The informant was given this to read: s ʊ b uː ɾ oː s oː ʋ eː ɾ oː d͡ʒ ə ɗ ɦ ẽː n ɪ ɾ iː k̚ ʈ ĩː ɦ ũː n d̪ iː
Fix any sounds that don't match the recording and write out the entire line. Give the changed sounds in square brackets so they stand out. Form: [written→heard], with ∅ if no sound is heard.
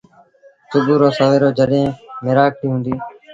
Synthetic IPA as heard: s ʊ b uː ɾ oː s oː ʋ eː ɾ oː d͡ʒ ə ɗ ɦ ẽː [n→m] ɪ ɾ [iː→aː] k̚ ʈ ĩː ɦ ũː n d̪ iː

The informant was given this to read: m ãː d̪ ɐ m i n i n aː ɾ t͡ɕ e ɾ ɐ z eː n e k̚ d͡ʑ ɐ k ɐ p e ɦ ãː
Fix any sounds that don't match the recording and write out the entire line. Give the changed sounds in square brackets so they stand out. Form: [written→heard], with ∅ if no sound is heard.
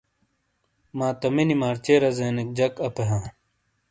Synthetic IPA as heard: m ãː [d̪→t̪] ɐ m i n i [n→m] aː ɾ t͡ɕ e ɾ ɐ z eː n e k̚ d͡ʑ ɐ k ɐ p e ɦ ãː

